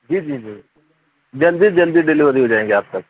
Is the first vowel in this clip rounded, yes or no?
no